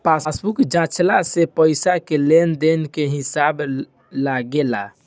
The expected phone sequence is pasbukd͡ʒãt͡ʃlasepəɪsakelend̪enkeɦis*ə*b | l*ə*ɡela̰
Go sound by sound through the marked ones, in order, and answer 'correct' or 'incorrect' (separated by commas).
incorrect, incorrect